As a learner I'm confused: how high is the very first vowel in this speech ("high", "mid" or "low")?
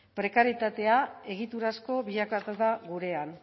mid